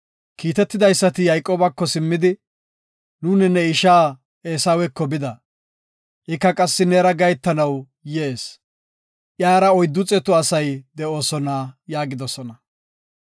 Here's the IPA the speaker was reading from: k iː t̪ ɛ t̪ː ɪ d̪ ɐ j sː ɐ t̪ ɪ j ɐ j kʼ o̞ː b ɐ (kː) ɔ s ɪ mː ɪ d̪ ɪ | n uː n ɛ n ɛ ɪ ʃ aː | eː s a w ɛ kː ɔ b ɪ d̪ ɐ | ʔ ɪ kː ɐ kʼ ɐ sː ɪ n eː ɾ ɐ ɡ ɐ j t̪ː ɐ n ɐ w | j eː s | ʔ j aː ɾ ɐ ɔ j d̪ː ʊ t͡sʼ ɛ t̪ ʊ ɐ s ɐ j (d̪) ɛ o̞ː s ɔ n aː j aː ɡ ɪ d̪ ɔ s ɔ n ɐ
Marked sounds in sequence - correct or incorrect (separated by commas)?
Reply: correct, correct